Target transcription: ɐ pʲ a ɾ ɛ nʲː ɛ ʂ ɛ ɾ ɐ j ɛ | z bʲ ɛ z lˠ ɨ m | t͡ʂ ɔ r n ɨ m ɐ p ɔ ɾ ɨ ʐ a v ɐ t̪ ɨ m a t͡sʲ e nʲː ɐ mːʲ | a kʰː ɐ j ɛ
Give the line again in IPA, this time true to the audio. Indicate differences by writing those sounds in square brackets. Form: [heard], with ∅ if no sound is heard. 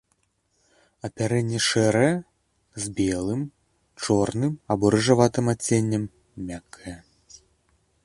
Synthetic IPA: ɐ pʲ a ɾ ɛ nʲː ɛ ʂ ɛ ɾ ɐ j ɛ | z bʲ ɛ [∅] lˠ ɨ m | t͡ʂ ɔ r n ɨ m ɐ [b] ɔ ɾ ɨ ʐ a v [a] t̪ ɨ m a t͡sʲ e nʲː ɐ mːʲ | a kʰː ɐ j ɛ